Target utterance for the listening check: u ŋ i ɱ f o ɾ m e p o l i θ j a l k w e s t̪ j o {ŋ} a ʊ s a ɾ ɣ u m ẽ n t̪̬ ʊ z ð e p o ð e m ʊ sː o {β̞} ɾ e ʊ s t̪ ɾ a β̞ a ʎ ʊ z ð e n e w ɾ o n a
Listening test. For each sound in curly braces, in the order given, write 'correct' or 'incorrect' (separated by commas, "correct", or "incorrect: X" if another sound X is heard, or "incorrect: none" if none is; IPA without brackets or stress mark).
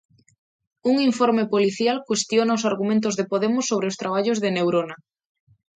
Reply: incorrect: n, correct